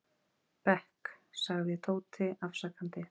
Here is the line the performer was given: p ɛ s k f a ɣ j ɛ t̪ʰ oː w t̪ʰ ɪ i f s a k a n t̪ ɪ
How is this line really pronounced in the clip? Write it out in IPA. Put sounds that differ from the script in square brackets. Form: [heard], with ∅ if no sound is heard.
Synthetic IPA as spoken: p ɛ [h] k [s] a ɣ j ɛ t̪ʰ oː w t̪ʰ ɪ [a] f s a k a n t̪ ɪ